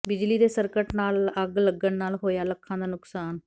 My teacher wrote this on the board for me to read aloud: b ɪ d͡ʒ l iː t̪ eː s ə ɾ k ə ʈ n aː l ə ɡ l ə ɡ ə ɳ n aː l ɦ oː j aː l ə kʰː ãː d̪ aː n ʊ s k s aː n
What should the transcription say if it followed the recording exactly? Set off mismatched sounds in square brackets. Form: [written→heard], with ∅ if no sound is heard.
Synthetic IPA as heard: b ɪ d͡ʒ l iː [t̪→d̪] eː s ə ɾ k ə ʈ n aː l ə ɡ l ə ɡ ə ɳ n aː l ɦ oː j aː l ə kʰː ãː d̪ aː n ʊ [s→∅] k s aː n